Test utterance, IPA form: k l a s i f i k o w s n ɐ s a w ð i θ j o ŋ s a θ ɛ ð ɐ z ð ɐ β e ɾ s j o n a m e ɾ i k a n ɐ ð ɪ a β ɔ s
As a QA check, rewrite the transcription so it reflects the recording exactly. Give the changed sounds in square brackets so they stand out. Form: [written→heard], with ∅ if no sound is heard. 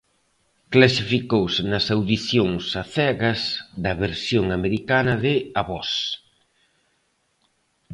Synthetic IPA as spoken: k l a s i f i k o w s n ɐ s a w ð i θ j o ŋ s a θ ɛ [ð→ɣ] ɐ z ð ɐ β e ɾ s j o [n→ŋ] a m e ɾ i k a n ɐ ð ɪ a β ɔ s